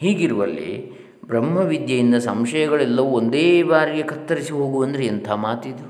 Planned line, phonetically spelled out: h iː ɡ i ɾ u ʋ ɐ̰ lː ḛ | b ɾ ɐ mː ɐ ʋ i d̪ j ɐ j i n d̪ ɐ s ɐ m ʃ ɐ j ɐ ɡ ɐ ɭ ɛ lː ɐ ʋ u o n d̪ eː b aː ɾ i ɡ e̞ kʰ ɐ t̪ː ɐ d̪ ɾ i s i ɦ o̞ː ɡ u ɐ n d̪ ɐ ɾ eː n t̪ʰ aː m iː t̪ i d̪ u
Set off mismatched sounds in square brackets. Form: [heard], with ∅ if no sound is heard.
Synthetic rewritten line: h iː ɡ i ɾ u ʋ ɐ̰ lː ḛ | b ɾ ɐ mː ɐ ʋ i d̪ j ɐ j i n d̪ ɐ s ɐ m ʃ ɐ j ɐ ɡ ɐ ɭ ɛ lː ɐ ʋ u o n d̪ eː b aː ɾ i ɡ e̞ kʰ ɐ t̪ː ɐ [∅] ɾ i s i ɦ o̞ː ɡ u ɐ n d̪ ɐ ɾ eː n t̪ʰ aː m [aː] t̪ i d̪ u